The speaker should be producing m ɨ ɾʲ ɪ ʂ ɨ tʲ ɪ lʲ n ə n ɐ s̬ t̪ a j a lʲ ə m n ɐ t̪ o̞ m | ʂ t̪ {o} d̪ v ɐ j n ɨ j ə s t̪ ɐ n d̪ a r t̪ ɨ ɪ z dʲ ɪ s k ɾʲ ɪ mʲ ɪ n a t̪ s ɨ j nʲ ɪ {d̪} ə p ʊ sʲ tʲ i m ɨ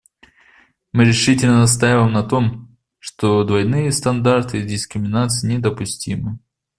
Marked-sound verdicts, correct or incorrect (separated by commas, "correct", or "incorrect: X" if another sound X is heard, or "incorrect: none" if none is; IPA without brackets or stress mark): correct, correct